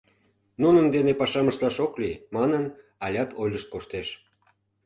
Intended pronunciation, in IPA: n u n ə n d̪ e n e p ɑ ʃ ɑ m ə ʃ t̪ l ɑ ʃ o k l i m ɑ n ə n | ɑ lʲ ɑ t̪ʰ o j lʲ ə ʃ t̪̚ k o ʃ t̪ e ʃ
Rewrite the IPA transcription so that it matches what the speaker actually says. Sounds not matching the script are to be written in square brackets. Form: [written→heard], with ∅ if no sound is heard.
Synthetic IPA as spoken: n u n ə n d̪ e n e p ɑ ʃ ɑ m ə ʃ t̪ l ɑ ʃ o k l i m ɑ n ə n | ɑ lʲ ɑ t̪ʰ o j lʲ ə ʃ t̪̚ k o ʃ t̪ e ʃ